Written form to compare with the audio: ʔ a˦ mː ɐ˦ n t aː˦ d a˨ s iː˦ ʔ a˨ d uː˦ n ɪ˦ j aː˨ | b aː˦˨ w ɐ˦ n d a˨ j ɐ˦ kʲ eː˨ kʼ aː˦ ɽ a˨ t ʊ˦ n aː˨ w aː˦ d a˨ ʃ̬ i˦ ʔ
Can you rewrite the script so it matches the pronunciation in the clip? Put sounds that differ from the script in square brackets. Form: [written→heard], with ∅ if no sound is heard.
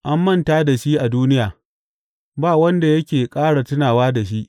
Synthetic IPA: ʔ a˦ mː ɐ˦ n t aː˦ d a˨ [s→ʃ] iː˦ ʔ a˨ d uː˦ n ɪ˦ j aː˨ | b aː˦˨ w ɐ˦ n d a˨ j ɐ˦ kʲ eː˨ kʼ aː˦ ɽ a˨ t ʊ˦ n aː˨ w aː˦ d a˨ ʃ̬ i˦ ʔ